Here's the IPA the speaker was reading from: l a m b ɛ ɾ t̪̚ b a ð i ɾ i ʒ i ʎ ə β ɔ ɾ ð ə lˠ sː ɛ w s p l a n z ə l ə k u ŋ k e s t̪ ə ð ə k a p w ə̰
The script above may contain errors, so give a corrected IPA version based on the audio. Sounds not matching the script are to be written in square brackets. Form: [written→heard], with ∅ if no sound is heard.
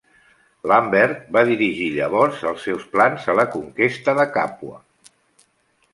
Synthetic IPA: l a m b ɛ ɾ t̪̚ b a ð i ɾ i ʒ i ʎ ə β ɔ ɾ [ð→z] ə lˠ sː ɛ w s p l a n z ə l ə k u ŋ k e s t̪ ə ð ə k a p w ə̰